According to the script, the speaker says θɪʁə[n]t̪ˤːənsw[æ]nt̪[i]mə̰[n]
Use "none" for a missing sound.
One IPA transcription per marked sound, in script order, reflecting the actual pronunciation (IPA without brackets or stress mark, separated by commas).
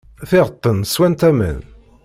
none, æ, æ, n